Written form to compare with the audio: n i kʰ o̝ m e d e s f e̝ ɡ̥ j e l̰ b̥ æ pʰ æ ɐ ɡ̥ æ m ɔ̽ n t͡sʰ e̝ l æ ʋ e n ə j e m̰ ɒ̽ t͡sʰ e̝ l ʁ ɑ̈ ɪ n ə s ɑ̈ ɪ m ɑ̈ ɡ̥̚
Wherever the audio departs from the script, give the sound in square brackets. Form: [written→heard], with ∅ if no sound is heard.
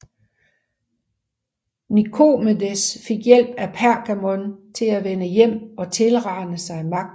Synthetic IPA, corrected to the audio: n i kʰ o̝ m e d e s f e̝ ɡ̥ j e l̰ b̥ æ pʰ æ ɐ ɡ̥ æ m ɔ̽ n t͡sʰ e̝ l æ ʋ e n ə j e m̰ ɒ̽ t͡sʰ e̝ l ʁ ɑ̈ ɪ n ə s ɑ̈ ɪ m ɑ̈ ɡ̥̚